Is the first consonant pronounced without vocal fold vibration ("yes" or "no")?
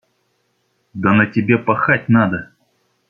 no